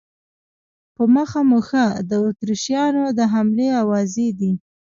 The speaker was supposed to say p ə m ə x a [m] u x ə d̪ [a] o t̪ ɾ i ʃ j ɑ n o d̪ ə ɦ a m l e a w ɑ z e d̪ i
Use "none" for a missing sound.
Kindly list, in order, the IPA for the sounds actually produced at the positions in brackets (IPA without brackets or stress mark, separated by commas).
m, ə